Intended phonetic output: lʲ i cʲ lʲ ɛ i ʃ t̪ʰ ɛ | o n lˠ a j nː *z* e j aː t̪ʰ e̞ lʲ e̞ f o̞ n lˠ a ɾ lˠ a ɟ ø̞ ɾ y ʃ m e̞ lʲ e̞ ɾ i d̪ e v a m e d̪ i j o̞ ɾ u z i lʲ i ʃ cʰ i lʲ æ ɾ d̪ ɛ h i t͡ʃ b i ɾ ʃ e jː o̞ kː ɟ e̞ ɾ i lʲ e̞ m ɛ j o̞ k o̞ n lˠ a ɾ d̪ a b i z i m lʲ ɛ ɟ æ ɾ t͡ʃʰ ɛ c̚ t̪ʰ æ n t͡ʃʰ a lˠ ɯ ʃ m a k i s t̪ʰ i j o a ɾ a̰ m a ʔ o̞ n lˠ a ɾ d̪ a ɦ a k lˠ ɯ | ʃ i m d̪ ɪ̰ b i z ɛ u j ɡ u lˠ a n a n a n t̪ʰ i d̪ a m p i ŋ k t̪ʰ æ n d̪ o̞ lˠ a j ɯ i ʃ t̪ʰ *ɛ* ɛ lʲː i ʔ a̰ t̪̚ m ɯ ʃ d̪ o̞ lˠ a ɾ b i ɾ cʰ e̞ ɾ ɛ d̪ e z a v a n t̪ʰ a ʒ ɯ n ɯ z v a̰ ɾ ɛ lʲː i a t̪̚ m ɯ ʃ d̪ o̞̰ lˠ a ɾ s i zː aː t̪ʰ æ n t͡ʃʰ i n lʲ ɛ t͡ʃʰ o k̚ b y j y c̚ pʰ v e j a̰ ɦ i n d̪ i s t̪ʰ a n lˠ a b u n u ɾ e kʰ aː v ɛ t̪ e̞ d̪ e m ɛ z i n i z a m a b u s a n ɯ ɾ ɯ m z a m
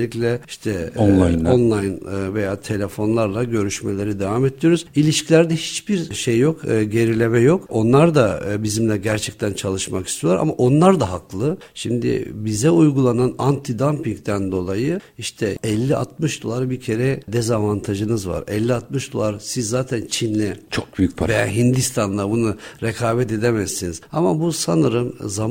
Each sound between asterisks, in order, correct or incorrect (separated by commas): incorrect, correct